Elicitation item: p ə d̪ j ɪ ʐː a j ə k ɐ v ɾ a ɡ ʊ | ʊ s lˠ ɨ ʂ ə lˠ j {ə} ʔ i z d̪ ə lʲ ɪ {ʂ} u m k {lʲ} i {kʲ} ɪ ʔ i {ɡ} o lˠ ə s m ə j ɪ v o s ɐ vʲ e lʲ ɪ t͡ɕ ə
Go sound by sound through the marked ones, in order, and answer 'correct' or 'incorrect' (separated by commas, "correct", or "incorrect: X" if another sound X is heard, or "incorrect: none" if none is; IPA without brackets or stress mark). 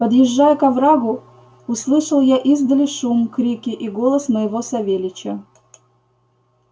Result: incorrect: a, correct, incorrect: ɾʲ, correct, correct